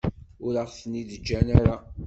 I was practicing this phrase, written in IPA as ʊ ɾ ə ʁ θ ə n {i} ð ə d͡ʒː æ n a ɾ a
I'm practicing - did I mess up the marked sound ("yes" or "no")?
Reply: no